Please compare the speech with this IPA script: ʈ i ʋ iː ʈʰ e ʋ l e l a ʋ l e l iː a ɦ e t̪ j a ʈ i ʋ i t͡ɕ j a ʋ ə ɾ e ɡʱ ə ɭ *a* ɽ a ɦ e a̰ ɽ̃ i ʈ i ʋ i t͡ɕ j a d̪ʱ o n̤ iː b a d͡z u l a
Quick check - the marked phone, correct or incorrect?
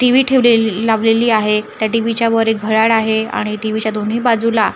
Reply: correct